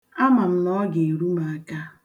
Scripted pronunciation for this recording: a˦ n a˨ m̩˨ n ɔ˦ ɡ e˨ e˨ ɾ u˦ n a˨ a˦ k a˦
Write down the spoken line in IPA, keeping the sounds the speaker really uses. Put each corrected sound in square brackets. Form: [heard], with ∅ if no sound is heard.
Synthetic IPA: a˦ [m] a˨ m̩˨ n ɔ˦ ɡ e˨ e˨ ɾ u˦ [m] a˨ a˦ k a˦